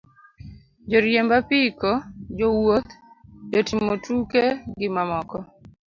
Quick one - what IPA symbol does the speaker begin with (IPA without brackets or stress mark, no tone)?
d͡ʒ